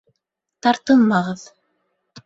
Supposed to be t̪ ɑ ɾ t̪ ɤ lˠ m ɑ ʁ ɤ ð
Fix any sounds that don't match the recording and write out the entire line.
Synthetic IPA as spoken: t̪ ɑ ɾ t̪ ɤ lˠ m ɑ ʁ ɤ ð

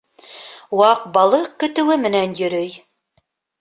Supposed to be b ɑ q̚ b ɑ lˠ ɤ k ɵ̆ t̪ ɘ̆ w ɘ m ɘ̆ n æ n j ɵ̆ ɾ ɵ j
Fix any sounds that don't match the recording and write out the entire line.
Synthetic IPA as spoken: w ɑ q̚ b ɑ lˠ ɤ k ɵ̆ t̪ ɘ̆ w ɘ m ɘ̆ n æ n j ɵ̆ ɾ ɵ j

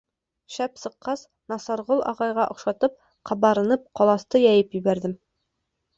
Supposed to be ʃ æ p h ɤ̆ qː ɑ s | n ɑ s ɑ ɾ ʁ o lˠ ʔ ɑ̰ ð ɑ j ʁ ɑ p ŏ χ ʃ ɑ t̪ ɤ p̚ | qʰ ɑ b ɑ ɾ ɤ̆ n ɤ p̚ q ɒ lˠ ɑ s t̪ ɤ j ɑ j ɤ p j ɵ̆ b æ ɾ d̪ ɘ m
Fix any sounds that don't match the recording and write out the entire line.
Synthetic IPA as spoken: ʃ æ p s ɤ̆ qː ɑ s | n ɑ s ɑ ɾ ʁ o lˠ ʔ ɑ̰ ʁ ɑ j ʁ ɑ ʔ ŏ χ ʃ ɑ t̪ ɤ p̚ | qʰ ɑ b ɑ ɾ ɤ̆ n ɤ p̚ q ɒ lˠ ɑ s t̪ ɤ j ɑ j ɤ p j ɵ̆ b æ ɾ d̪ ɘ m

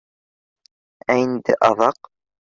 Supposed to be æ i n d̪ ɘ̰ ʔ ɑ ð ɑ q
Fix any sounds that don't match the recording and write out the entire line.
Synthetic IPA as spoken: æ i n d̪ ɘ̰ ʔ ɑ ð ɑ q

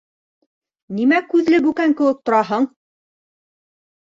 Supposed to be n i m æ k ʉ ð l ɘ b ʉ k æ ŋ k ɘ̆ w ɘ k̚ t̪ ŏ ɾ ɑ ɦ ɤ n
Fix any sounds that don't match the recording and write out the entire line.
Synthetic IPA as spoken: n i m æ k ʉ ð l ɘ b ʉ k æ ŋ k ɘ̆ w ɘ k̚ t̪ ŏ ɾ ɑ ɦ ɤ ɴ

